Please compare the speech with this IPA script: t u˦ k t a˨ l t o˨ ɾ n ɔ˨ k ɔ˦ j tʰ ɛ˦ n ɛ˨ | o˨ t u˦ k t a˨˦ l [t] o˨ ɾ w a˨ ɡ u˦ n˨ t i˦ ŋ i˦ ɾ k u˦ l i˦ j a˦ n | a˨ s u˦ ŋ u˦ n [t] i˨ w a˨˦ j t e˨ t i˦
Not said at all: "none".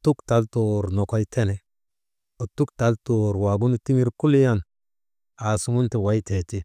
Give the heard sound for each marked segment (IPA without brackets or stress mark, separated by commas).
t, t